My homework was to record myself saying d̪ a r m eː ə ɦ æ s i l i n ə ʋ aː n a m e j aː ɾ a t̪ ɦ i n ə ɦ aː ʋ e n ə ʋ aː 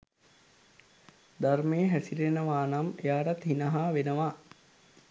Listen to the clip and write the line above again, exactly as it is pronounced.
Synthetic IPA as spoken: d̪ a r m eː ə ɦ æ s i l e n ə ʋ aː n a m e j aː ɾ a t̪ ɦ i n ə ɦ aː ʋ e n ə ʋ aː